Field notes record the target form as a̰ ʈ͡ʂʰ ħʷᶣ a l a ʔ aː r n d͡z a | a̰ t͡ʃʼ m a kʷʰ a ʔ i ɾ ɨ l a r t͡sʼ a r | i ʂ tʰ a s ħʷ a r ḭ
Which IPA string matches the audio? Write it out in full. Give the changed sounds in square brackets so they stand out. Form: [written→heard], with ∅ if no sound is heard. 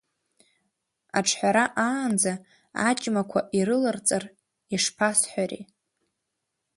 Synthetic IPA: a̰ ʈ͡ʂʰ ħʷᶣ a [l→ɾ] a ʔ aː [r→∅] n d͡z a | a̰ t͡ʃʼ m a kʷʰ a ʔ i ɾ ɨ l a r t͡sʼ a r | i ʂ [tʰ→pʰ] a s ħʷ a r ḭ